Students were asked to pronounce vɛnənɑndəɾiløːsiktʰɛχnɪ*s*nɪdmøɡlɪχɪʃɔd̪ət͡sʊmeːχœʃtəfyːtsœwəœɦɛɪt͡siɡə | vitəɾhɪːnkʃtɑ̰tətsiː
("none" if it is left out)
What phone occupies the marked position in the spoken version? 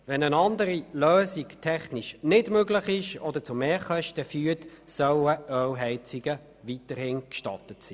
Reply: ʃ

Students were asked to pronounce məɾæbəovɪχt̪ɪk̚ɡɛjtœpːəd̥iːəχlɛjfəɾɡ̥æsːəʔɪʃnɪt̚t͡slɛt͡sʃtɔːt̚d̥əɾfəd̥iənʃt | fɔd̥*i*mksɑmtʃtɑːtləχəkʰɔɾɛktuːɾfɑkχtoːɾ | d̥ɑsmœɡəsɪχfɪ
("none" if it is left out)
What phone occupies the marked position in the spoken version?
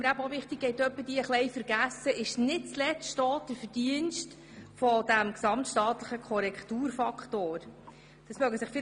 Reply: æ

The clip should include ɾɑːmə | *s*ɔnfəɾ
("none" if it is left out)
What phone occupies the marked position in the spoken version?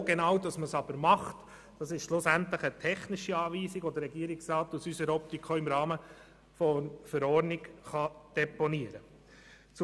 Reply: f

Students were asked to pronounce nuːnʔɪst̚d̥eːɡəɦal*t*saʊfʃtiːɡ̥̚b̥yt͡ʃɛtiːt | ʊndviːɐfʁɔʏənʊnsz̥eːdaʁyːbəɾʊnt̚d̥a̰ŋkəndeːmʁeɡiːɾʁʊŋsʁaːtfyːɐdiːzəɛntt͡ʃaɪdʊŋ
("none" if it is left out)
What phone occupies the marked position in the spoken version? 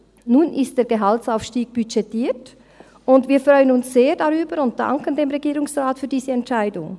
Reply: t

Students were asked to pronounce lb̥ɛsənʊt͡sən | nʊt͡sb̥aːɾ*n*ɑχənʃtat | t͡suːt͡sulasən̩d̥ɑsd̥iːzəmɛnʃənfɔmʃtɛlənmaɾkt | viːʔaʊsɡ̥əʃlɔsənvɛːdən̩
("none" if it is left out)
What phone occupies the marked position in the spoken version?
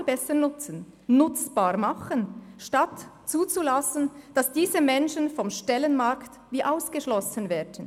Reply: m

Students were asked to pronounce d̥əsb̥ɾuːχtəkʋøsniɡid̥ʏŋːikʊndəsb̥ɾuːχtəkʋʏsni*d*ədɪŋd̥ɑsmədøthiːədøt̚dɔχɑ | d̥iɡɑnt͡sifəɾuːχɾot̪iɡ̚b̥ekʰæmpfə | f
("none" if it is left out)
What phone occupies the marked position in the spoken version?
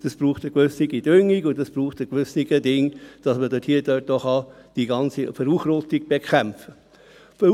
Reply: ɡ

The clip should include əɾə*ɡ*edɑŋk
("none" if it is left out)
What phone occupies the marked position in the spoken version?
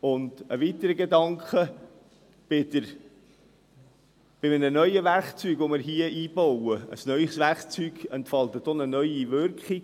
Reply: ɡ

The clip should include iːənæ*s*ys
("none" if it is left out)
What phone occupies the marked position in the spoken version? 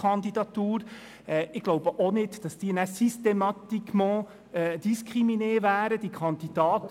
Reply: s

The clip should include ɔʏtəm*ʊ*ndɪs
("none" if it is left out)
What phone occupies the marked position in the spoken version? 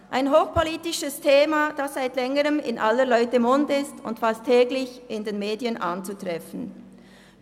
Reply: ʊ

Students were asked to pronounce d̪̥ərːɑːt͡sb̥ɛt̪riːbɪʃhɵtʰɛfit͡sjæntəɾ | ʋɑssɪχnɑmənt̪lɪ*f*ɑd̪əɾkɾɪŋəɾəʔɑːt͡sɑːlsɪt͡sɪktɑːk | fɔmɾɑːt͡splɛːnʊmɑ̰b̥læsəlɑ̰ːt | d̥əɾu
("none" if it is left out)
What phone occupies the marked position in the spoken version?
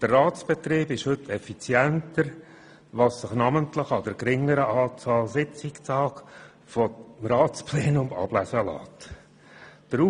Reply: χ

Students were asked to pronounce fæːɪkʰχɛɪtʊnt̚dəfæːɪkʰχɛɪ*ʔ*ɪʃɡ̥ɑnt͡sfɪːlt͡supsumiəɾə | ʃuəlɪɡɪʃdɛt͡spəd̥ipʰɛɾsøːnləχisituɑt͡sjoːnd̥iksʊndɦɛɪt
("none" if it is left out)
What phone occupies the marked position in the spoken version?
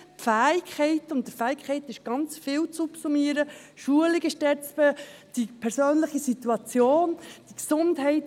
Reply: t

